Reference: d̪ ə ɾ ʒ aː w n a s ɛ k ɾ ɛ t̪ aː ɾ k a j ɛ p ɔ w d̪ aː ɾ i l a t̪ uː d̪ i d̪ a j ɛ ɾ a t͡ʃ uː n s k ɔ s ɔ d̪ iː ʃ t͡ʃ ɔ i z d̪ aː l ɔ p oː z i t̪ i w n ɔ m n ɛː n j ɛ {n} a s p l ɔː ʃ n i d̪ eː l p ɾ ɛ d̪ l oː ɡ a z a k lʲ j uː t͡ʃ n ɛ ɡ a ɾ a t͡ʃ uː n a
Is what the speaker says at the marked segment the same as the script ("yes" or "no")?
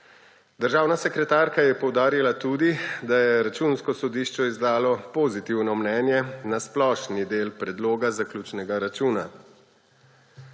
yes